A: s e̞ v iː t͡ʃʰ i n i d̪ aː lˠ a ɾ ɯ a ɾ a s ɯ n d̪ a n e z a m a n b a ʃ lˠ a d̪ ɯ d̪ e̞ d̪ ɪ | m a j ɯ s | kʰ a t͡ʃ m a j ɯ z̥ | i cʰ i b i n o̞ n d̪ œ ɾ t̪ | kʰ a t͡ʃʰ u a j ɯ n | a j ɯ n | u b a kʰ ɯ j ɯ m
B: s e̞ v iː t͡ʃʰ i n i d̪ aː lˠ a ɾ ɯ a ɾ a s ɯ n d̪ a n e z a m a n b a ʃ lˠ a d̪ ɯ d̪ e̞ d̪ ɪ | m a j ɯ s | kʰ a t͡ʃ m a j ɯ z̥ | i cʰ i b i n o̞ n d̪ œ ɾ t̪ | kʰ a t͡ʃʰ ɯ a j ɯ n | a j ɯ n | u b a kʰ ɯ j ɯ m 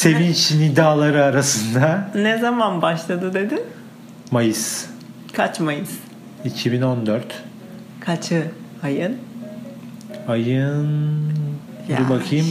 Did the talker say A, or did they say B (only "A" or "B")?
B